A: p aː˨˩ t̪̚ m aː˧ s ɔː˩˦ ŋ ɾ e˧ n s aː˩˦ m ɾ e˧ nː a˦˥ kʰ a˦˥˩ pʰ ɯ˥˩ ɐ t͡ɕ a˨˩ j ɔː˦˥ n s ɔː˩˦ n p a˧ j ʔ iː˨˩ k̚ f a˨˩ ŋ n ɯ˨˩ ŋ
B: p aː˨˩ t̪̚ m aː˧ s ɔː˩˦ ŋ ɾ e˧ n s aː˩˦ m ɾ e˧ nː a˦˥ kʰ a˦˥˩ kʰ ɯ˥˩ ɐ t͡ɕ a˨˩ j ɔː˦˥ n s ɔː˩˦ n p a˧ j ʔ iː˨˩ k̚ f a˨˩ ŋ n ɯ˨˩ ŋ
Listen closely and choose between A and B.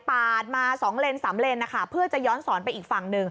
A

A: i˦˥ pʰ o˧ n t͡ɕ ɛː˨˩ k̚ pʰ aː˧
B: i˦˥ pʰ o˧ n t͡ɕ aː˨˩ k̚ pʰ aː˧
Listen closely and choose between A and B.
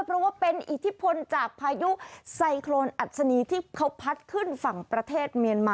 B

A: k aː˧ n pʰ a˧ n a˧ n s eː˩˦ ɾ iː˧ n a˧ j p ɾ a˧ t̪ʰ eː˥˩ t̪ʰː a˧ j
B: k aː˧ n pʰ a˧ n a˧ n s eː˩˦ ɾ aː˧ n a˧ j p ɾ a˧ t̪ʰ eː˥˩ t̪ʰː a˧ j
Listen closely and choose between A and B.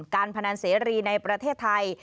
A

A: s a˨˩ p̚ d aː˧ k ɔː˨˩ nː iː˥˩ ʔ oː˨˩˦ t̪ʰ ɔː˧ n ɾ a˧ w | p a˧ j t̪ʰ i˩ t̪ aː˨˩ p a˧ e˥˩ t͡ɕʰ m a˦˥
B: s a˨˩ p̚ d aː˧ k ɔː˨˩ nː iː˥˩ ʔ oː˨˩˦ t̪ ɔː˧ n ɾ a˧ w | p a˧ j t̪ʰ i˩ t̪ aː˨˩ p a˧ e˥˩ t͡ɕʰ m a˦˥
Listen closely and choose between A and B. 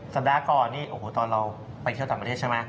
B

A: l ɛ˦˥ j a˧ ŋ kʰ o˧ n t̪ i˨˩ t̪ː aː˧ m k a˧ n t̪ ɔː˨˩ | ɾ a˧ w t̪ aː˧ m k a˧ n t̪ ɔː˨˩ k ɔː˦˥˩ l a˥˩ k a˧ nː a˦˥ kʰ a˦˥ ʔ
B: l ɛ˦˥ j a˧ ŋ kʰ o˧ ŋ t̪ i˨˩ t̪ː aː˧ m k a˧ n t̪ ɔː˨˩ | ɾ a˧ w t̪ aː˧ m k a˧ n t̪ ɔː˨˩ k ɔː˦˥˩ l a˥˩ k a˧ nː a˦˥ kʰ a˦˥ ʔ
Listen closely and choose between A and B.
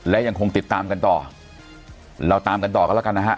B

